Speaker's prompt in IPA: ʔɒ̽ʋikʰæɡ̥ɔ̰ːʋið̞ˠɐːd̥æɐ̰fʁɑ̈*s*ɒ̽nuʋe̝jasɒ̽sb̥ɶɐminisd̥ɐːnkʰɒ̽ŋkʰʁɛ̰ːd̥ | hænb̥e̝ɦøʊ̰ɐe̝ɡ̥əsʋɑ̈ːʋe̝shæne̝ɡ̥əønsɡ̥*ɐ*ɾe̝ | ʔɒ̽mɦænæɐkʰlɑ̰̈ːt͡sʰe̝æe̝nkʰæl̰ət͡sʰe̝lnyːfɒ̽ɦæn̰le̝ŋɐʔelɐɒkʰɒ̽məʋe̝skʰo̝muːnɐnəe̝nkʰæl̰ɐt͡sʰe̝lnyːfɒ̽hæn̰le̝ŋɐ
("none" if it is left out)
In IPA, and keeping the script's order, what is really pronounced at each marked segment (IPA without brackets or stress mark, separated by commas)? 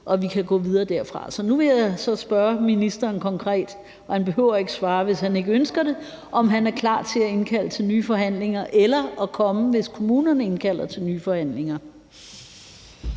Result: s, ɐ